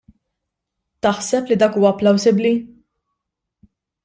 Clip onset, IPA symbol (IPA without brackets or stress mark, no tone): t̪